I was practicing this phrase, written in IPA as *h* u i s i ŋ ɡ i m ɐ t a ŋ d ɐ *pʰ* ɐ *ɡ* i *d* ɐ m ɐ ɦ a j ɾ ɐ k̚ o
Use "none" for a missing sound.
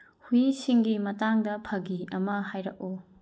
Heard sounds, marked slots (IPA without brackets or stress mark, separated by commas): h, pʰ, ɡ, none